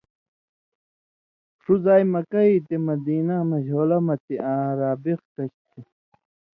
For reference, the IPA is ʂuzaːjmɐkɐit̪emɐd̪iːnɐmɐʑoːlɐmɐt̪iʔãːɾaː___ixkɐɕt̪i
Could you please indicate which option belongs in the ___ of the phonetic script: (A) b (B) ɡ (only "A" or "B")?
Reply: A